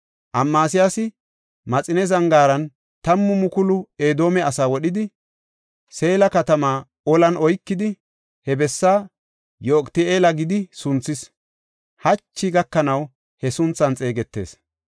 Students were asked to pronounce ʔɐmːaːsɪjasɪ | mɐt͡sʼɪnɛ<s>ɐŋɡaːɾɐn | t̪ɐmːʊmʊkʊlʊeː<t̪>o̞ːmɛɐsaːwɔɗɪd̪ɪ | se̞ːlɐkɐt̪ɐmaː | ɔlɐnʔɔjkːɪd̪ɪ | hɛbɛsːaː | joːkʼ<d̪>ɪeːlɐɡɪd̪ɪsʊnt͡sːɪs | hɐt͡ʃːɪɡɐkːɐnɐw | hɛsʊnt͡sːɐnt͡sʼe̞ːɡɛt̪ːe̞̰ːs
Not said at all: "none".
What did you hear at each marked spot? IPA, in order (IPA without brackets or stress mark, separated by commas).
z, d̪, t̪